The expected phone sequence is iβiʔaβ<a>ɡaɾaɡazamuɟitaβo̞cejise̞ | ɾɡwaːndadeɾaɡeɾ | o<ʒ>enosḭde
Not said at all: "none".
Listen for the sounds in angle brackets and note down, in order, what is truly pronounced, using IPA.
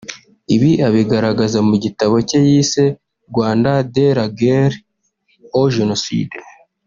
i, ʒ

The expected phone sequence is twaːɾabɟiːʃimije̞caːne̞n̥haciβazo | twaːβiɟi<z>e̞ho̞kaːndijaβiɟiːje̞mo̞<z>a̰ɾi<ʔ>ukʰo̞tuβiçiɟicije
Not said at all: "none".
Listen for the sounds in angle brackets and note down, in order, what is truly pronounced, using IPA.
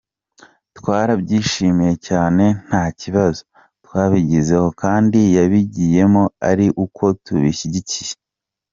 z, none, ʔ

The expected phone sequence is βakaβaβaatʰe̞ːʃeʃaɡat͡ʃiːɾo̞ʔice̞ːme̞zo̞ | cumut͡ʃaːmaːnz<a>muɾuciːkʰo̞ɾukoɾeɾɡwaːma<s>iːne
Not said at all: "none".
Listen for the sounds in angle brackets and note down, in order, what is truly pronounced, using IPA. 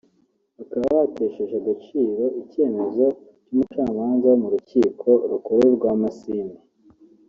a, s

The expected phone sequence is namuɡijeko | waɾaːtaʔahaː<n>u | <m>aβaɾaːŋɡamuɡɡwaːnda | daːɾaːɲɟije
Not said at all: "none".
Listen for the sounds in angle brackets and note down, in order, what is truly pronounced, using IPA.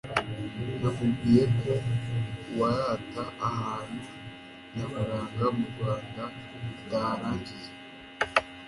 n, n

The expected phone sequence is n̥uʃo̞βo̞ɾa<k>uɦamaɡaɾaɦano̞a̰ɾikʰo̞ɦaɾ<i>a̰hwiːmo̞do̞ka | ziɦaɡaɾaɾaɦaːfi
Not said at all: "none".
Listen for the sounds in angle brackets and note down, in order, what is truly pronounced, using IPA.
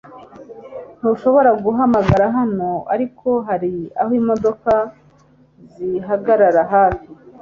ɡ, i

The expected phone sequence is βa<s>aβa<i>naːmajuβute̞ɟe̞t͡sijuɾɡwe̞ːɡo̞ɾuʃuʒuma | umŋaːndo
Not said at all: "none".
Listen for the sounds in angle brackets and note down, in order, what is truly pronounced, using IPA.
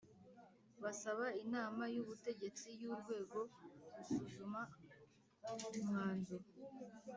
s, i

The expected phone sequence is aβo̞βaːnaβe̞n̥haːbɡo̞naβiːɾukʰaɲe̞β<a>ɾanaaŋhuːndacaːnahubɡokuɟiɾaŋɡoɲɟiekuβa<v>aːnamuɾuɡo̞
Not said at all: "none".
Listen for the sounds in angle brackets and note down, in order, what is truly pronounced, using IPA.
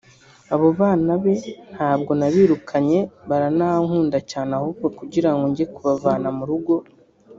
a, v

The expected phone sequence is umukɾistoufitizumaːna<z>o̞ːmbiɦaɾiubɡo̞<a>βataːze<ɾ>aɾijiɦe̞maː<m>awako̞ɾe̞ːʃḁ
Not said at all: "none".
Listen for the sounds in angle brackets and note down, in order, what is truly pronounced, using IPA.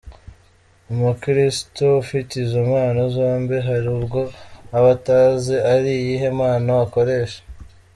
z, a, none, n

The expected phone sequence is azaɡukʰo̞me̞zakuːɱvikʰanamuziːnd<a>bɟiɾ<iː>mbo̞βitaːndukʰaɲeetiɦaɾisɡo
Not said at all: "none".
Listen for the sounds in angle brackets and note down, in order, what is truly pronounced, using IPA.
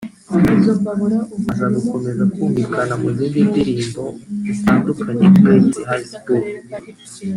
i, iː

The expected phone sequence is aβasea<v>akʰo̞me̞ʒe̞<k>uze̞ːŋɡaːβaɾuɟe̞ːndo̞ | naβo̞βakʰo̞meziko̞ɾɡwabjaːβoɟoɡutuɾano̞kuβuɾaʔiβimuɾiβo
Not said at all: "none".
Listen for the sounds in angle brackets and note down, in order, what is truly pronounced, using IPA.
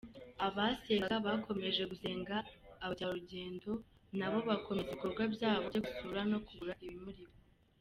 β, ɡ

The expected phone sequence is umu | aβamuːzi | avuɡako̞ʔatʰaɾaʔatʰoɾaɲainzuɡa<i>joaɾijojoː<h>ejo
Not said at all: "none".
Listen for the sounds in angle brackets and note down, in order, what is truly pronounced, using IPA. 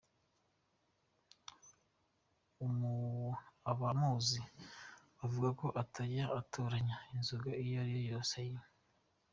i, s

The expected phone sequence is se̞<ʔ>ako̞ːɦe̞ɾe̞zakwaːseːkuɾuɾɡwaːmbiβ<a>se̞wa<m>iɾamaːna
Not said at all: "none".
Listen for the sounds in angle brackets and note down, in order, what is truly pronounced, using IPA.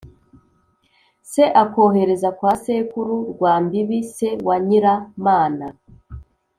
ʔ, i, ɲ

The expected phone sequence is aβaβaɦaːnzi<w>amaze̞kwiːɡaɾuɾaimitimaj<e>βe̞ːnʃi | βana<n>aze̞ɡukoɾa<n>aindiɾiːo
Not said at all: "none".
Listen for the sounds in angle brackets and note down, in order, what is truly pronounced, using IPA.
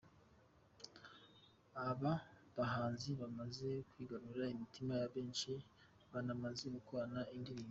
β, a, m, n

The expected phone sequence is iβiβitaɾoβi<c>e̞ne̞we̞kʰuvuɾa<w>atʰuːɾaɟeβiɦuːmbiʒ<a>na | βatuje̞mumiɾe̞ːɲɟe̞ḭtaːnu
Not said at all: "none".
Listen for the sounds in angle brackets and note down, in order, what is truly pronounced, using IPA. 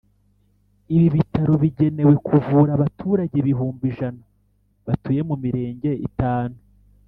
ɟ, β, a

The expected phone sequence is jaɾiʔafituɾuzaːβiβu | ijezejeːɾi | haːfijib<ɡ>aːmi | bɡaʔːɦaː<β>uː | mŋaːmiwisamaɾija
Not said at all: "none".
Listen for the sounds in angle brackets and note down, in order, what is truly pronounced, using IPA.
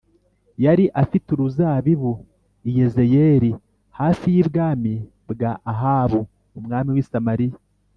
ɡ, β

